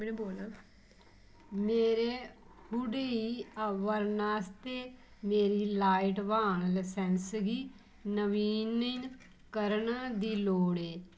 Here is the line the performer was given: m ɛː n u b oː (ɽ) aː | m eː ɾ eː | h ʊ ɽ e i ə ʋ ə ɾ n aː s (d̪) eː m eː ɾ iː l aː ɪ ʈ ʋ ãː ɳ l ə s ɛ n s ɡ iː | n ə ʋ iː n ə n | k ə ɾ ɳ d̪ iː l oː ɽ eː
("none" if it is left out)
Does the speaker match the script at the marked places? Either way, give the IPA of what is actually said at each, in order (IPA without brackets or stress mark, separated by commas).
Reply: l, t̪